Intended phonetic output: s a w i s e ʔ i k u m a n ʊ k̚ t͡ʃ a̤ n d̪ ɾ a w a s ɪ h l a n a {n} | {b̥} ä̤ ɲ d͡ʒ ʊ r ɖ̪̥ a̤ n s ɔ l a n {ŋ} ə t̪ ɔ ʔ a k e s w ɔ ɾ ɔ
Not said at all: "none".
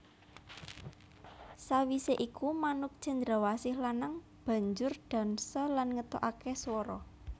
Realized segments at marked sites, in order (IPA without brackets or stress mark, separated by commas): ŋ, b̥, ŋ